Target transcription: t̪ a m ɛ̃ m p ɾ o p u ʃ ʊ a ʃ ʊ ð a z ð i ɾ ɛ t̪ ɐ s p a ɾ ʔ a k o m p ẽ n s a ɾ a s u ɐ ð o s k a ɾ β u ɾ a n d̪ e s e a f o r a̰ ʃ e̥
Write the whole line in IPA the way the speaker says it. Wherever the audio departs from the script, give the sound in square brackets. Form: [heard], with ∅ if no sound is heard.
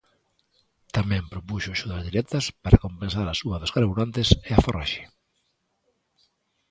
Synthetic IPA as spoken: t̪ a m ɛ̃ m p ɾ o p u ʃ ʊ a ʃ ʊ ð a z ð i ɾ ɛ t̪ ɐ s p a ɾ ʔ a k o m p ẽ n s a ɾ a s u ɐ ð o s k a ɾ β u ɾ a n [t̪] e s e a f o r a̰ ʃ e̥